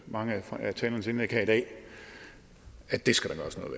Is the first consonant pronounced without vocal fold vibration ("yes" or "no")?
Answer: no